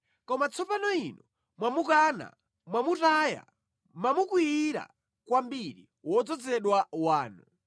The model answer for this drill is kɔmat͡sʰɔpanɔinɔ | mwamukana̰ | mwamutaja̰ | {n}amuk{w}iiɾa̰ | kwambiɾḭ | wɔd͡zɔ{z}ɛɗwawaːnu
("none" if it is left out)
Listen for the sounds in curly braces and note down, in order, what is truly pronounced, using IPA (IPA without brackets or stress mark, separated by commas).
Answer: m, w, d͡z